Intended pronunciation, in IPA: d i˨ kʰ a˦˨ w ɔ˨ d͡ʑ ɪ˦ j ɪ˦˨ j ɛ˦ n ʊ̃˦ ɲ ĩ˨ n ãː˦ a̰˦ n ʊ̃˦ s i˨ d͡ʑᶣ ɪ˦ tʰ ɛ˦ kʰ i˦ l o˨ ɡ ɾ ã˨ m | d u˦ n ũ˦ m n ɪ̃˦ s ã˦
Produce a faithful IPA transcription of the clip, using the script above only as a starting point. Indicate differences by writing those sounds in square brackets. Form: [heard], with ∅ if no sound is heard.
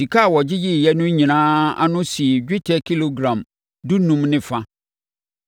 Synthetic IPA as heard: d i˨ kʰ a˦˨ w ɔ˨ d͡ʑ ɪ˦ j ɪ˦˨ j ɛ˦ n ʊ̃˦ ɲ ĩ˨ n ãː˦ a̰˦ n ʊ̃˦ s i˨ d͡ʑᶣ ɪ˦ tʰ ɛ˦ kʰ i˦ l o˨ ɡ ɾ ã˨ m | d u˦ n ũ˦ m n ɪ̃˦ [f] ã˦